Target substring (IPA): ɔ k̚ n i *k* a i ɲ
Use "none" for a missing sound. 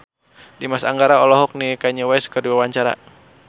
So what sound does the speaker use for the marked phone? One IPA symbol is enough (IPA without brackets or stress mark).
k